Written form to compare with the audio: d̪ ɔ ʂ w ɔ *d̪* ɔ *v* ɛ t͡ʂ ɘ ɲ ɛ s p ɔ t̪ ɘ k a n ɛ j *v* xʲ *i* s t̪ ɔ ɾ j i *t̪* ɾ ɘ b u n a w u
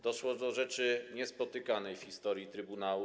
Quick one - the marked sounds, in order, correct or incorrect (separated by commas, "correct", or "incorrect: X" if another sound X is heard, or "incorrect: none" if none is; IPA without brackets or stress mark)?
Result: correct, incorrect: ʐ, incorrect: f, correct, correct